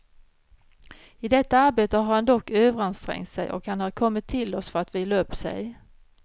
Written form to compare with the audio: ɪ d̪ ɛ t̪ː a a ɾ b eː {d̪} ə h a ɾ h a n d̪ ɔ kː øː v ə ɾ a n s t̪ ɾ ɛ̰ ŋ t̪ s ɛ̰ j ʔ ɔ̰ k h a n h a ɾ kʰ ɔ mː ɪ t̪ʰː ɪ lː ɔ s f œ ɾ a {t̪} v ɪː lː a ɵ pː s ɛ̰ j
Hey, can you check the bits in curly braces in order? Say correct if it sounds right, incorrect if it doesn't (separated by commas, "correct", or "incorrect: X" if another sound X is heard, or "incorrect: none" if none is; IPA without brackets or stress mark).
incorrect: t̪, correct